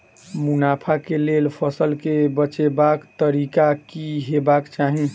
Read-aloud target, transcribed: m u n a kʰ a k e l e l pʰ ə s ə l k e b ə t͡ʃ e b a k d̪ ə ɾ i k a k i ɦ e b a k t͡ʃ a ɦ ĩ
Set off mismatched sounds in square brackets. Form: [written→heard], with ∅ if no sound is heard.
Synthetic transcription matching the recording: m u n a [kʰ→pʰ] a k e l e l pʰ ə s ə l k e b ə t͡ʃ e b a k [d̪→t̪] ə ɾ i k a k i ɦ e b a k t͡ʃ a ɦ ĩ